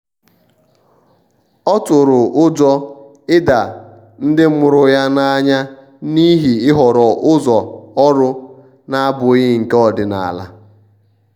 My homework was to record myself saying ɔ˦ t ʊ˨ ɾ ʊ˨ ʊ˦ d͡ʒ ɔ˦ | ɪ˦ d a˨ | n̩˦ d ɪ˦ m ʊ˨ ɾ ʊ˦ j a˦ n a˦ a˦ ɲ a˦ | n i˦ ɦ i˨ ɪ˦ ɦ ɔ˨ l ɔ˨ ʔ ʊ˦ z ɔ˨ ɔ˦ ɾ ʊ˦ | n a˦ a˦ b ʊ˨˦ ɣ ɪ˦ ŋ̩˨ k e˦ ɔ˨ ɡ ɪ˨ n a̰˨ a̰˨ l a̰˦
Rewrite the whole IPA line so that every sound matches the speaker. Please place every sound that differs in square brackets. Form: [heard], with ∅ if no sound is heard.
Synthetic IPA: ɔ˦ t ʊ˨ ɾ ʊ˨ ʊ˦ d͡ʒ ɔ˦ | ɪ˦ d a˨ | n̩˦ d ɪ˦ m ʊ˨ ɾ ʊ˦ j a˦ n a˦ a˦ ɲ a˦ | n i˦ ɦ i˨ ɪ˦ ɦ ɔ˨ [ɾ] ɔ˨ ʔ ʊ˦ z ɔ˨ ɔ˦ ɾ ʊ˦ | n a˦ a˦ b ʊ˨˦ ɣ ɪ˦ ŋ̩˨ k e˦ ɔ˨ [d] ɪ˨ n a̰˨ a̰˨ l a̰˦